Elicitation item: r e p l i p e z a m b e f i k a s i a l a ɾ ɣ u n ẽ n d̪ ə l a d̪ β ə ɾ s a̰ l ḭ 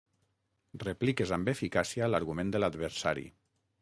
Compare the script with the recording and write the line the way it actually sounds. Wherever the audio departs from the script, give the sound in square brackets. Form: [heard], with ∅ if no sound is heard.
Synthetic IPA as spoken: r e p l i [k] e z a m b e f i k a s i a l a ɾ ɣ u [m] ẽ n d̪ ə l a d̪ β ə ɾ s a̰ [ɾ] ḭ